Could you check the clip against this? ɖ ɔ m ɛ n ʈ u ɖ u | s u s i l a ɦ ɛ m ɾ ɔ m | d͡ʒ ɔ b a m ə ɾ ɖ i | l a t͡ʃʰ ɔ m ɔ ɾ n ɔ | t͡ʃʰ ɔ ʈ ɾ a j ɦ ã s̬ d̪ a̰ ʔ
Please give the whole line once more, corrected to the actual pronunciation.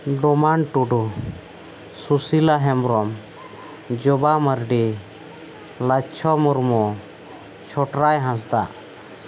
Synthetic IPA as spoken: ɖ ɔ m a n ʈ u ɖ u | s u s i l a ɦ ɛ m ɾ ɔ m | d͡ʒ ɔ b a m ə ɾ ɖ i | l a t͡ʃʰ ɔ m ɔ ɾ m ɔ | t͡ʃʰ ɔ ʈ ɾ a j ɦ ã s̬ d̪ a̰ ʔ